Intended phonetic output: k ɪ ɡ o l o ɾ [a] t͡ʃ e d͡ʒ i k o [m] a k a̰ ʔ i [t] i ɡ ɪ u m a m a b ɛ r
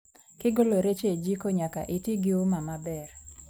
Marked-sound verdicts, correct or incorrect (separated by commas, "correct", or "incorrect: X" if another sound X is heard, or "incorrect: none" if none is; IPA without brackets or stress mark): incorrect: e, incorrect: ɲ, correct